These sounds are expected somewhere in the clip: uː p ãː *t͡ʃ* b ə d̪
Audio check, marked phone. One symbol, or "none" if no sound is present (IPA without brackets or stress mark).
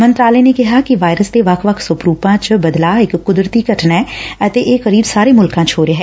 t͡ʃ